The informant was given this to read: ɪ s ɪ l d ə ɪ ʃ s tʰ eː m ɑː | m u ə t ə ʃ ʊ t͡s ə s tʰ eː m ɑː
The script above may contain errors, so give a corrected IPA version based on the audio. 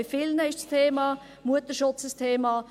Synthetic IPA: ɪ f ɪ l n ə ɪ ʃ s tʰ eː m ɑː | m u ə t ə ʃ ʊ t͡s ə s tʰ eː m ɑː